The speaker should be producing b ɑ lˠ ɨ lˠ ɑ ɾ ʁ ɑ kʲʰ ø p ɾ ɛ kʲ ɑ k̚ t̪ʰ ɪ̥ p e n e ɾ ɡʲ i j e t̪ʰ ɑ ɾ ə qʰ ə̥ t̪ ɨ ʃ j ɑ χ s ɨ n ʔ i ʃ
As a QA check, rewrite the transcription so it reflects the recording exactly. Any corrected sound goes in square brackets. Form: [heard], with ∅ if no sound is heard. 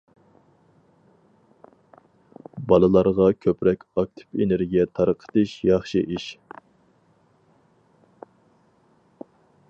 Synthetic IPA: b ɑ lˠ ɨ lˠ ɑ ɾ ʁ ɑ kʲʰ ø p ɾ ɛ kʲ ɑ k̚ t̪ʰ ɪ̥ p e n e ɾ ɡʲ i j [ɛ] t̪ʰ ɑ ɾ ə qʰ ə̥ t̪ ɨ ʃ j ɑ χ [ʃ] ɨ [∅] ʔ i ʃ